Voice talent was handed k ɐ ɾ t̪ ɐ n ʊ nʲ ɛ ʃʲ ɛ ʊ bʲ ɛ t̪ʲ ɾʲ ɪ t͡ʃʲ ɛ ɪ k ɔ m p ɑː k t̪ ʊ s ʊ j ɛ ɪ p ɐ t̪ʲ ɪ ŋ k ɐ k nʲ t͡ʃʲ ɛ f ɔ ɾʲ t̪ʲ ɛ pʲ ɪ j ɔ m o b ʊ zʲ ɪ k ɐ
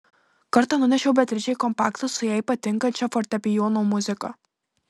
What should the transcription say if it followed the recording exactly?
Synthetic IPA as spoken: k ɐ ɾ t̪ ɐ n ʊ nʲ ɛ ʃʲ ɛ ʊ bʲ ɛ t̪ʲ ɾʲ ɪ t͡ʃʲ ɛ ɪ k ɔ m p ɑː k t̪ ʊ s ʊ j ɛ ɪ p ɐ t̪ʲ ɪ ŋ k ɐ nʲ t͡ʃʲ ɛ f ɔ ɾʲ t̪ʲ ɛ pʲ ɪ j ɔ n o m ʊ zʲ ɪ k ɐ